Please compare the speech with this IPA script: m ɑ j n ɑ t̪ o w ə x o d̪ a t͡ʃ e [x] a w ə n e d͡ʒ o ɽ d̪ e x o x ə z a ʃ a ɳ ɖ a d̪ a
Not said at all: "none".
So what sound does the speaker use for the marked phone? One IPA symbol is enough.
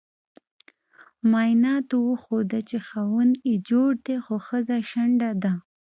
x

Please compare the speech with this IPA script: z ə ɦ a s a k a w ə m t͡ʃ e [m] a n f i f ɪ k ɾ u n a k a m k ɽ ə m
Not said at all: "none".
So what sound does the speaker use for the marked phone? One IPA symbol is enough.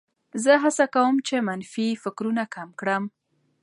m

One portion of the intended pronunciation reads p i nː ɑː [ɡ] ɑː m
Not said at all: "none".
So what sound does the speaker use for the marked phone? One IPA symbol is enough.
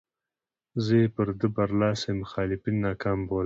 k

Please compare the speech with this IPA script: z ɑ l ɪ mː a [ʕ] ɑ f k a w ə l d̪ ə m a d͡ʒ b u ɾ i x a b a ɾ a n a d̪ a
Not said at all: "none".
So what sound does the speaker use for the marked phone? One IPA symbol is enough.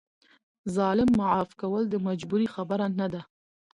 ʕ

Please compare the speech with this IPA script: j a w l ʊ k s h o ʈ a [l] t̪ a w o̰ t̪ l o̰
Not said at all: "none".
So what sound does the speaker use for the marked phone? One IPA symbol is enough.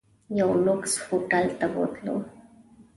l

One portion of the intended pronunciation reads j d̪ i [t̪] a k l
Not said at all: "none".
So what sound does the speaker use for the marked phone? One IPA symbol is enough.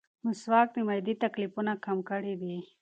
t̪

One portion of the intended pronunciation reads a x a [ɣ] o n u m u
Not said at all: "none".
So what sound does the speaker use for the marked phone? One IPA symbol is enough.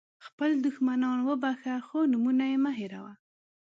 x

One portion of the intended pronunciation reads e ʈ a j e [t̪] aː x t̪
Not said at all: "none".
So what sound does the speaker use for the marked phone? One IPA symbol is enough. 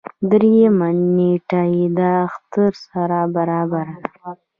d̪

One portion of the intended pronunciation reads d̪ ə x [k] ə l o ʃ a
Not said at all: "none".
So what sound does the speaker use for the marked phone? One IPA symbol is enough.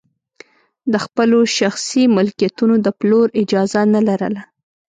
p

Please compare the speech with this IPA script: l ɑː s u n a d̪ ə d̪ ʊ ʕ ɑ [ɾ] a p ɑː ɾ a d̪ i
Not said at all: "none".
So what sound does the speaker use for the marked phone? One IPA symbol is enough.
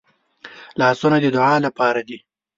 l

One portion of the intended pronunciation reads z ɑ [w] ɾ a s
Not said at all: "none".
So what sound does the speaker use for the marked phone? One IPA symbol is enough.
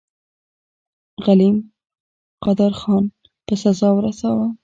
w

